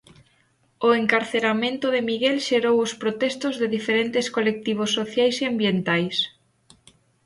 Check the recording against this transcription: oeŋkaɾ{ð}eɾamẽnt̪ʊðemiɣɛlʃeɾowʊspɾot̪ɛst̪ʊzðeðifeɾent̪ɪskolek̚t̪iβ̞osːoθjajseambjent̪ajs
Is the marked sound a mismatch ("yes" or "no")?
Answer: yes